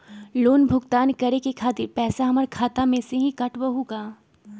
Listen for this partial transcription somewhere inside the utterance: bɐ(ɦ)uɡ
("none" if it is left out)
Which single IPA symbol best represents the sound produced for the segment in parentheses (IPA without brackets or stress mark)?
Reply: ɦ